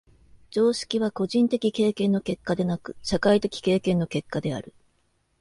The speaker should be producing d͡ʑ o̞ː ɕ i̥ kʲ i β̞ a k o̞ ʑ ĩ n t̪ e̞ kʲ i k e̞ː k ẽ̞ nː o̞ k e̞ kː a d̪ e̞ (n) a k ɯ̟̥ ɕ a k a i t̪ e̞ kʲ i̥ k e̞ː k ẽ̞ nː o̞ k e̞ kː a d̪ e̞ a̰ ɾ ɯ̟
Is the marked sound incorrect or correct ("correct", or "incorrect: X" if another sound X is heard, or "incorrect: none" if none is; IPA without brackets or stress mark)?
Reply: correct